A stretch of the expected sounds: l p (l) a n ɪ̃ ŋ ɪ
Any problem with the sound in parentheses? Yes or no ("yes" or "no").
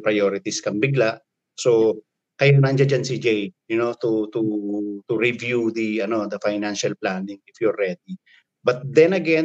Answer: no